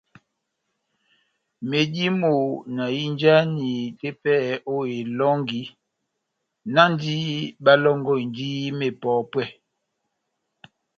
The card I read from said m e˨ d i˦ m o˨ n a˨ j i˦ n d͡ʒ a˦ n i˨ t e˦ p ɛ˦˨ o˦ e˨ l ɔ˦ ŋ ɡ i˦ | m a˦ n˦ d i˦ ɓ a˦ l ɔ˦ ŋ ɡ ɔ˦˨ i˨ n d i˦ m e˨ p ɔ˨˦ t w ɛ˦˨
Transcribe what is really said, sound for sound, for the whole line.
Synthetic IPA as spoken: m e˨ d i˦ m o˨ n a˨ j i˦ n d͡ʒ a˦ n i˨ t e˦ p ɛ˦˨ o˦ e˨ l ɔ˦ ŋ ɡ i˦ | n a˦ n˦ d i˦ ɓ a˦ l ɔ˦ ŋ ɡ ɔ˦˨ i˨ n d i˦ m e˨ p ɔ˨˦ p w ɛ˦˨

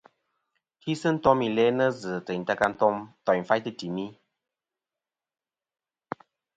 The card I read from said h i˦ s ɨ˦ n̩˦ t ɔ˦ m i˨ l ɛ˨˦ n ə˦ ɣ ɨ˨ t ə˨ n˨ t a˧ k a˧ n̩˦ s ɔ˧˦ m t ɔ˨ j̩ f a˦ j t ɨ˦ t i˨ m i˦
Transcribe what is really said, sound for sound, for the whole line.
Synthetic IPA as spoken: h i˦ s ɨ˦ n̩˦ t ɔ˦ m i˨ l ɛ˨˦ n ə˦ z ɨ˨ t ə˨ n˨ t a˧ k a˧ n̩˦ t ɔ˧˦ m t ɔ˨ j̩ f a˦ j t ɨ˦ t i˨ m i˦

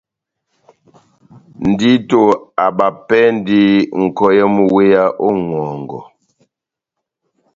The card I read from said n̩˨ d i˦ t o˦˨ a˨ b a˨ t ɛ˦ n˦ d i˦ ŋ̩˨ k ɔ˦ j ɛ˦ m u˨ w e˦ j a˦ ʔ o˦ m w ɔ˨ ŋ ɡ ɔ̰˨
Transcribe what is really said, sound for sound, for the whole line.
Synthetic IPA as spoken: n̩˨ d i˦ t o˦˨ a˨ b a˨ p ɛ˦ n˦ d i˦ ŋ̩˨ k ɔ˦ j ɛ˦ m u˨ w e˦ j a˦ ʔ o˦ ŋ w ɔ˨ ŋ ɡ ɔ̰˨

